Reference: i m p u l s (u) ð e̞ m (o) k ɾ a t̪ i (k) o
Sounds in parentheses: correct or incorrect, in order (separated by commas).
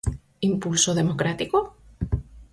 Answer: incorrect, correct, correct